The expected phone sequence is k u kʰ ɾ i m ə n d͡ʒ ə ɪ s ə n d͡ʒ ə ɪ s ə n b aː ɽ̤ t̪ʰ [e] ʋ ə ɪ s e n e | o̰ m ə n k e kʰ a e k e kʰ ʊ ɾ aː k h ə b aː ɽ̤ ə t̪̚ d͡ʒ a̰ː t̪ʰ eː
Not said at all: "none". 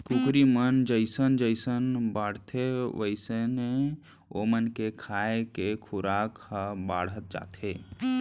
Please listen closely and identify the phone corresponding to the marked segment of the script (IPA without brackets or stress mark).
e